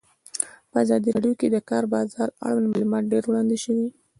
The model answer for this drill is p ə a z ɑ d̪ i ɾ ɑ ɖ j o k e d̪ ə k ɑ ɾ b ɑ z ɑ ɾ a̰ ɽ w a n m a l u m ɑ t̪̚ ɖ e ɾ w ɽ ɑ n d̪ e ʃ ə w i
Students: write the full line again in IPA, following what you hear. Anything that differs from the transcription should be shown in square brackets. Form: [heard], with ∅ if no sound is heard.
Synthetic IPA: p ə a z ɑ d̪ i ɾ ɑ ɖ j o k e d̪ ə k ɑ ɾ b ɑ z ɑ ɾ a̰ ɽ w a n m a l u m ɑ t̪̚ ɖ e ɾ w ɽ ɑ n d̪ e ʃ ə w i

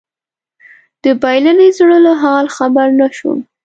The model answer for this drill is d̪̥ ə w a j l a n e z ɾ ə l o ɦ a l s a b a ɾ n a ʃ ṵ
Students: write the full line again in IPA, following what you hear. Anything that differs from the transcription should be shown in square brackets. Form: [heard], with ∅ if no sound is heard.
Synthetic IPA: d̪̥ ə [b] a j l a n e z [ɽ] ə l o ɦ [ɑ] l [x] a b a ɾ n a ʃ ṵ

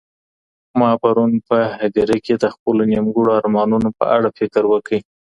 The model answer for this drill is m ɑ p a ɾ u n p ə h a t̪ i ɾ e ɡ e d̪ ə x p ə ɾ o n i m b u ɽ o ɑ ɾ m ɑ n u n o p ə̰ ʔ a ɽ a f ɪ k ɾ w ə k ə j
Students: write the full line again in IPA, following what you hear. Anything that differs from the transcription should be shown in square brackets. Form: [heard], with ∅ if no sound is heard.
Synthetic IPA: m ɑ p a ɾ u n p ə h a [d̪] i ɾ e [k] e d̪ ə x p ə [l] o n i m [ɡ] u ɽ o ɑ ɾ m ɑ n u n o p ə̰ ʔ a ɽ a f ɪ k ɾ w ə k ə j

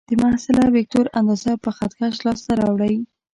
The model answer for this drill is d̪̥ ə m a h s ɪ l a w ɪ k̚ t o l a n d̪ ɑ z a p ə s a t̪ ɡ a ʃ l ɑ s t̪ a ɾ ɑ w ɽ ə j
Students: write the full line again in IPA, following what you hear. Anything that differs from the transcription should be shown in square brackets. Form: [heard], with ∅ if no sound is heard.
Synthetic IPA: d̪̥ ə m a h s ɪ l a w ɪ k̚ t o [ɾ] a n d̪ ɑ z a p ə [x] a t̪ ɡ a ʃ l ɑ s t̪ a ɾ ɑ w ɽ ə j

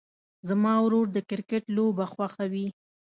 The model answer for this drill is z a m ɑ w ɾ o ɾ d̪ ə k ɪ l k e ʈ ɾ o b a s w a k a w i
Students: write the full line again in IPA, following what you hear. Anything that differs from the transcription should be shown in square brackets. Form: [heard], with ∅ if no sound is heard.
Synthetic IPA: z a m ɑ w ɾ o ɾ d̪ ə k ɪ [ɾ] k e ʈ [l] o b a [x] w a [x] a w i

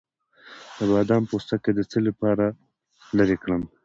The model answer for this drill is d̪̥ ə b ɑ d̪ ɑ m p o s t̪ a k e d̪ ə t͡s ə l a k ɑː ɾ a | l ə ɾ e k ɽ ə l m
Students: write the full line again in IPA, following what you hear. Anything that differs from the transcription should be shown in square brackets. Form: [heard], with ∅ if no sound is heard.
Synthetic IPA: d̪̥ ə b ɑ d̪ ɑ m p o s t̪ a k e d̪ ə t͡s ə l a [p] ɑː ɾ a | l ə ɾ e k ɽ ə [∅] m

